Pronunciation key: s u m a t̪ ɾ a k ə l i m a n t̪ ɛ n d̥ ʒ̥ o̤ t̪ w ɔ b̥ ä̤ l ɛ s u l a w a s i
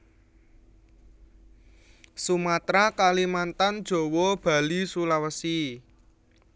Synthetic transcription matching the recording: s u m a t̪ ɾ a k a l i m a n t̪ a n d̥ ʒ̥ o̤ w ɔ b̥ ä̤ l i s u l a w ə s i